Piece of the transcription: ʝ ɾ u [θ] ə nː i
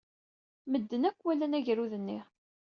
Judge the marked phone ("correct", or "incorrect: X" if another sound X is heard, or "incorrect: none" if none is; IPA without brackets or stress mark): incorrect: ð